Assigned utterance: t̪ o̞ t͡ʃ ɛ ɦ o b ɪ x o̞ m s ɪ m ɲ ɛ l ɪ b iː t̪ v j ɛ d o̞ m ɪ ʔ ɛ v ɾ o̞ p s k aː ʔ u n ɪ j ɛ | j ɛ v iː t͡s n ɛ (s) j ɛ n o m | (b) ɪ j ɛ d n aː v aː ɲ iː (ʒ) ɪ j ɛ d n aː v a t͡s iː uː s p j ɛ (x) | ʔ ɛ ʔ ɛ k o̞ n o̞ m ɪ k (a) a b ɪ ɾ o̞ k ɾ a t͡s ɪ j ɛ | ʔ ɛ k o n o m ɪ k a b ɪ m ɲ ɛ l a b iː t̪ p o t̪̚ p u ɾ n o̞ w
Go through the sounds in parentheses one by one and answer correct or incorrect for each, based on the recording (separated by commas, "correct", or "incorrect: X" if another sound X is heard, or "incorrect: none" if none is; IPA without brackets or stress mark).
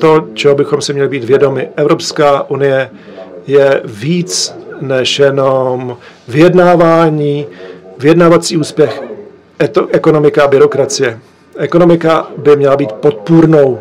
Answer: incorrect: ʃ, incorrect: v, incorrect: v, correct, correct